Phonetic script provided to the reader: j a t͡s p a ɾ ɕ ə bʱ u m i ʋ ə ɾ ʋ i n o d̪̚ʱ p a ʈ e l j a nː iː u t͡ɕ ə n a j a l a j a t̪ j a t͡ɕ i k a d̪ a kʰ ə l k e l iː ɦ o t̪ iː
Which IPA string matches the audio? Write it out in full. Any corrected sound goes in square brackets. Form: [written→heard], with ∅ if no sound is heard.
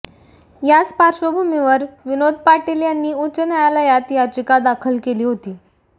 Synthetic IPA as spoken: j a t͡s p a ɾ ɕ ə bʱ u m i ʋ ə ɾ ʋ i n o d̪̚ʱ p a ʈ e l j a nː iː u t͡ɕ ə n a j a l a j a t̪ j a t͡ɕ i k a d̪ a kʰ ə l k e l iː ɦ o t̪ iː